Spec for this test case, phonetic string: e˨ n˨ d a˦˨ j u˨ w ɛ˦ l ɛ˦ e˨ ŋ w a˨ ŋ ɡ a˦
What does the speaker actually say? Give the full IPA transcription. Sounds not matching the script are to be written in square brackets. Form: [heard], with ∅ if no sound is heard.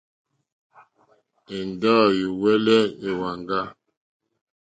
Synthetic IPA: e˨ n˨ d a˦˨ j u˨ w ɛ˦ l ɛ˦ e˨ [∅] w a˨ ŋ ɡ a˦